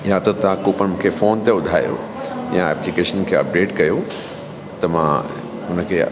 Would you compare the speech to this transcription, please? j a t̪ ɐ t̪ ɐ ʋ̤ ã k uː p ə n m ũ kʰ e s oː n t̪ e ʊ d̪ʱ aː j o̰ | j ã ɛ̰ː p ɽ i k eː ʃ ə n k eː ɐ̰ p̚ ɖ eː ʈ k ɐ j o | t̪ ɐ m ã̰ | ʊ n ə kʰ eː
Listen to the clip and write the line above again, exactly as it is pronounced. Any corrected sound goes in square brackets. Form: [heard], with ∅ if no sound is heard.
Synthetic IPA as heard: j a t̪ ɐ t̪ ɐ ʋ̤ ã k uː p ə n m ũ kʰ e [f] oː n t̪ e ʊ d̪ʱ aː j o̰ | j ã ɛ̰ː p [l] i k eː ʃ ə n [kʰ] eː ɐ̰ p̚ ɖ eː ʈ k ɐ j o | t̪ ɐ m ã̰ | ʊ n ə kʰ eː